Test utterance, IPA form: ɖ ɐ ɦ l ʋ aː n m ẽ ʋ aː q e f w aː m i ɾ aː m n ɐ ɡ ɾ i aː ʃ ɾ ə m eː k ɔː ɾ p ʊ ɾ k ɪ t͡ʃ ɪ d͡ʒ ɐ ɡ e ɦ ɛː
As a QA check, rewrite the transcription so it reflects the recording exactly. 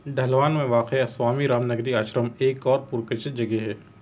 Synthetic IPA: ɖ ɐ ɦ l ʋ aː n m ẽ ʋ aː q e s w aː m i ɾ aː m n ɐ ɡ ɾ i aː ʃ ɾ ə m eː k ɔː ɾ p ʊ ɾ k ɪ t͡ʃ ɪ d͡ʒ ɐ ɡ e ɦ ɛː